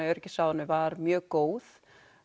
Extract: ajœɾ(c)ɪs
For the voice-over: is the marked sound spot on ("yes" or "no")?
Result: yes